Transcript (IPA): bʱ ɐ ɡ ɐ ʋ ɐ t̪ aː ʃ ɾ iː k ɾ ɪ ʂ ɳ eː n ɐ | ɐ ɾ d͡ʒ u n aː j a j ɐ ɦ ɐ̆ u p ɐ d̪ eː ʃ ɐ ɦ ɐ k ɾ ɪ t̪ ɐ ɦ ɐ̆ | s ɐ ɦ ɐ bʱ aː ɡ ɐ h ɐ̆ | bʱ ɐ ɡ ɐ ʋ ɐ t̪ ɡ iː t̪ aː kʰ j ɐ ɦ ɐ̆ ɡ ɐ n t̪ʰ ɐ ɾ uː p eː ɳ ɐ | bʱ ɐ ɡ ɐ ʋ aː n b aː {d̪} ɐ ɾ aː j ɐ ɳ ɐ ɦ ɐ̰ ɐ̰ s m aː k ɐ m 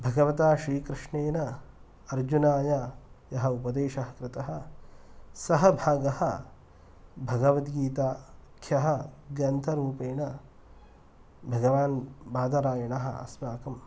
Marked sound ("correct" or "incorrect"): correct